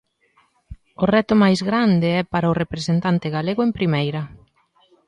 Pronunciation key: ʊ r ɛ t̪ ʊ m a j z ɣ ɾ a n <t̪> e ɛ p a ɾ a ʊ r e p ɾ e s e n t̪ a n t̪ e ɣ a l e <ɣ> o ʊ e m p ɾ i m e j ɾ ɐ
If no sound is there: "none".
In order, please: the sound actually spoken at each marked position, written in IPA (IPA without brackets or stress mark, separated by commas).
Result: d̪, ɣ